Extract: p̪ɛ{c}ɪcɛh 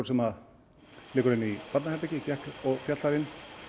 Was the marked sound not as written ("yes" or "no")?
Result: no